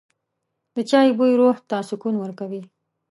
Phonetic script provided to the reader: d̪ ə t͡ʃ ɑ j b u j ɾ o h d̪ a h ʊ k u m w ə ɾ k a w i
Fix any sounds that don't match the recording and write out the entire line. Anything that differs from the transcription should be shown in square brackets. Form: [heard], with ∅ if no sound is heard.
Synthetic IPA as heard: d̪ ə t͡ʃ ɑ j b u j ɾ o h [t̪] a [s] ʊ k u [n] w ə ɾ k a w i